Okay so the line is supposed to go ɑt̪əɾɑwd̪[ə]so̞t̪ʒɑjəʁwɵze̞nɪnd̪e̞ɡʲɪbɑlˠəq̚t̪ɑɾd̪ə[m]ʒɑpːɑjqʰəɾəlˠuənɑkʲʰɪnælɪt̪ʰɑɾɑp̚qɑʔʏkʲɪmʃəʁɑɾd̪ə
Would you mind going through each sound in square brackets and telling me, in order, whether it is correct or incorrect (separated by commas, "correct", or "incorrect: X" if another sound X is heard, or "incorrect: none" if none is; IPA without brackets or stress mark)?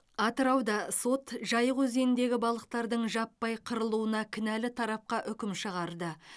incorrect: ɑ, incorrect: ɴ